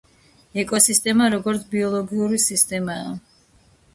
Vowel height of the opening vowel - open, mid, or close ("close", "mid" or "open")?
mid